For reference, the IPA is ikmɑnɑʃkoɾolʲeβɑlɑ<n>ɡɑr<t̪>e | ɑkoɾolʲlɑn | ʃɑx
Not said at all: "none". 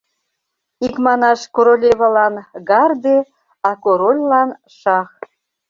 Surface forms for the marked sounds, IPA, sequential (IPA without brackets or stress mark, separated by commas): n, d̪